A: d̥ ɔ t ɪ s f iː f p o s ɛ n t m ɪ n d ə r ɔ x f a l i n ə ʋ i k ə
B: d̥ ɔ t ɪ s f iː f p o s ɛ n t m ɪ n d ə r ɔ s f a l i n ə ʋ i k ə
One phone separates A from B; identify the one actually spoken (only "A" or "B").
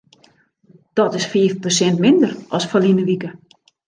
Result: B